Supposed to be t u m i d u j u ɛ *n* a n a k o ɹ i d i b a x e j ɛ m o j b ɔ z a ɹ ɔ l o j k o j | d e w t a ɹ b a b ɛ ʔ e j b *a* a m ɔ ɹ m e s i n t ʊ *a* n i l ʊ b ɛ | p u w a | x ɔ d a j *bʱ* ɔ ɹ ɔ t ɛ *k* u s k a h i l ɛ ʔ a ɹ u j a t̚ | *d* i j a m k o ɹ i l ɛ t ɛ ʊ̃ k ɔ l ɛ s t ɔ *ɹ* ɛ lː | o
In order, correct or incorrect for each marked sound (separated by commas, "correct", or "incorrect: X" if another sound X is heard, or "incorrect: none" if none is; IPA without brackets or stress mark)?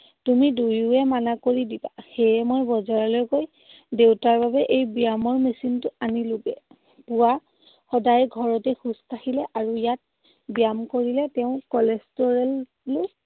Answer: incorrect: m, incorrect: i, correct, incorrect: ɡʱ, incorrect: x, incorrect: b, correct